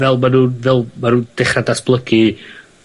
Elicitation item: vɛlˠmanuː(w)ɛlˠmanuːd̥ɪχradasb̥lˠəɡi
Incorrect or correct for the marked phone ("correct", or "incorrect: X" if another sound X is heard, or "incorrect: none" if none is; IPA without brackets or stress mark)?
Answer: incorrect: v